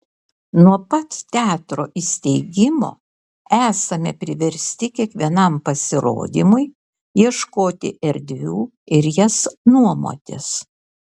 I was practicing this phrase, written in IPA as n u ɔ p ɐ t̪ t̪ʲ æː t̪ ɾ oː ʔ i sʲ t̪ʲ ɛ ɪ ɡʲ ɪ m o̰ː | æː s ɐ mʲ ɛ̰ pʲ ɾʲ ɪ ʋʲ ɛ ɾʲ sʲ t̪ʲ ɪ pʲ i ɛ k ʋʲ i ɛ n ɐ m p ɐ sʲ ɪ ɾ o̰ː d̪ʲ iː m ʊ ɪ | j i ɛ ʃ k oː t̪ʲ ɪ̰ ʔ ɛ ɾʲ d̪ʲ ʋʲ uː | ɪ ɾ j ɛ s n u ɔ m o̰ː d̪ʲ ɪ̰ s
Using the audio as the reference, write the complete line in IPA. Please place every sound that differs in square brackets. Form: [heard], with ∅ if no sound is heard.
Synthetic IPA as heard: n u ɔ p ɐ t̪ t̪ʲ æː t̪ ɾ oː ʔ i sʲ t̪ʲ ɛ ɪ ɡʲ ɪ m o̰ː | æː s ɐ mʲ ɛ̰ pʲ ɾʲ ɪ ʋʲ ɛ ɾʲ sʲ t̪ʲ ɪ [kʲ] i ɛ k ʋʲ i ɛ n ɐ m p ɐ sʲ ɪ ɾ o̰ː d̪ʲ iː m ʊ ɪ | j i ɛ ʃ k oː t̪ʲ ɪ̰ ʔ ɛ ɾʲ d̪ʲ ʋʲ uː | ɪ ɾ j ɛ s n u ɔ m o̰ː [t̪ʲ] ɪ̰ s